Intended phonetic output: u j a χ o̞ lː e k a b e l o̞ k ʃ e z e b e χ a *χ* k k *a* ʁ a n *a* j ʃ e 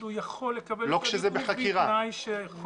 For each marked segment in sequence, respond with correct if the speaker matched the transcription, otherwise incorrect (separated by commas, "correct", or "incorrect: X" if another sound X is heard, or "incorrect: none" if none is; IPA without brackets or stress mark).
incorrect: none, incorrect: i, correct